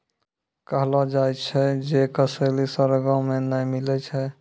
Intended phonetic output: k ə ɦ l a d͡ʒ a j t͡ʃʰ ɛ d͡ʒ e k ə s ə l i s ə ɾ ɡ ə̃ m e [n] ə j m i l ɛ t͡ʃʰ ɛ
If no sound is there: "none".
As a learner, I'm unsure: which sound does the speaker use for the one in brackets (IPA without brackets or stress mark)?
n